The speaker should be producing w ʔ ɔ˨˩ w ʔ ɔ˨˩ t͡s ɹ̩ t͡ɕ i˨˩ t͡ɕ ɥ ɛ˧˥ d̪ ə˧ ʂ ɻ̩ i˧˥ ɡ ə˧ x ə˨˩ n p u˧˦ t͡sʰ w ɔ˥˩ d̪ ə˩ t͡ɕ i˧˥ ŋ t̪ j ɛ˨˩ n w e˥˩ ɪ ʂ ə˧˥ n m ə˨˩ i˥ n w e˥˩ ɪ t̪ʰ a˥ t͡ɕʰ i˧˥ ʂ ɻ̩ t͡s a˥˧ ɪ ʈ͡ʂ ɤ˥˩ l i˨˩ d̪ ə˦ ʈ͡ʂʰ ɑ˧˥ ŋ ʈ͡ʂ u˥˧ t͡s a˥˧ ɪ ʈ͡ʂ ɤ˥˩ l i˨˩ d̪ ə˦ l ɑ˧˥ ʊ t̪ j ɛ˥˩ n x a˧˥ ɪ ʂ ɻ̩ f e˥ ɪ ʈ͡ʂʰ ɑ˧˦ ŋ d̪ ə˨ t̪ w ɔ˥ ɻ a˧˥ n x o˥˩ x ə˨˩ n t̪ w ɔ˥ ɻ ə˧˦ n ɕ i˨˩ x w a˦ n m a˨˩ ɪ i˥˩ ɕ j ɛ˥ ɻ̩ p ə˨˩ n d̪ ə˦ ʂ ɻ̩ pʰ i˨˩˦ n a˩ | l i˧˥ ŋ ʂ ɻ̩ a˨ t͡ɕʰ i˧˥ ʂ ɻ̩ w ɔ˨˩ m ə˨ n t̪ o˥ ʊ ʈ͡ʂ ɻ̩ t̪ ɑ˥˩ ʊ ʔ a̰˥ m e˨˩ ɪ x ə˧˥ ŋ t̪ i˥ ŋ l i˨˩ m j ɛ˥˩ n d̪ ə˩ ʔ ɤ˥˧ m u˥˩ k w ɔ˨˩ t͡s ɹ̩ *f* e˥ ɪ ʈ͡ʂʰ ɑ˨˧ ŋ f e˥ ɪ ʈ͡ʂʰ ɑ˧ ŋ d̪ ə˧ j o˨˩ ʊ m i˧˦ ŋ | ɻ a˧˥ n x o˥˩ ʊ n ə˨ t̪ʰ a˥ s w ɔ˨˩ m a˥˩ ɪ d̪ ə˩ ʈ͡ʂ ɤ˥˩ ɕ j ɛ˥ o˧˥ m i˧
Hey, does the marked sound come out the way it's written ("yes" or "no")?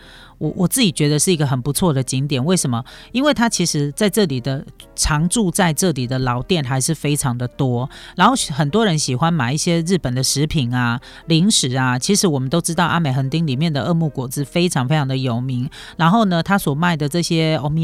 yes